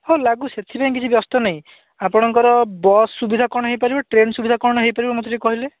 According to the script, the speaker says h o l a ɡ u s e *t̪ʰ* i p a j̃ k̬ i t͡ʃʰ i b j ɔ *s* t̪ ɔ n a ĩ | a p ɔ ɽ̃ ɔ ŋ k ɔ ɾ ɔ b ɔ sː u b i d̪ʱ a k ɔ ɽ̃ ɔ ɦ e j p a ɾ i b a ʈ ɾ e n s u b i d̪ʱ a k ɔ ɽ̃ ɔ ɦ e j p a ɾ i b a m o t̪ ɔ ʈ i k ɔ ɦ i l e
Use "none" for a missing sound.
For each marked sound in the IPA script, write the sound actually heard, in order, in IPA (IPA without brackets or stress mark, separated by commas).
t̪ʰ, s